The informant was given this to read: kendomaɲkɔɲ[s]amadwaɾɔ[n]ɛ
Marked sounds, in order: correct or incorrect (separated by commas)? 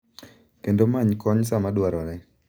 correct, correct